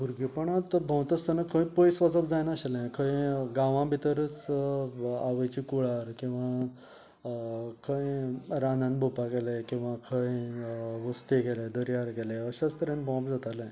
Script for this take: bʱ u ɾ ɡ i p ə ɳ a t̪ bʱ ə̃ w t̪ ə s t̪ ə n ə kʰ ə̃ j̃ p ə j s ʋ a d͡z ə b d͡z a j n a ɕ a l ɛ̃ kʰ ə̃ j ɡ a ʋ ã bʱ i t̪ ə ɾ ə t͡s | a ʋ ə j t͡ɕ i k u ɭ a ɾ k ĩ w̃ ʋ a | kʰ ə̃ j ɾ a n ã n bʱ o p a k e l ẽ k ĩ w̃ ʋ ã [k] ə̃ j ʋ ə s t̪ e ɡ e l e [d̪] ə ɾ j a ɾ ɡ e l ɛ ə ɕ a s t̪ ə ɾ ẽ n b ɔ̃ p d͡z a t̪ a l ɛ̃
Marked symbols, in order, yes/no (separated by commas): no, yes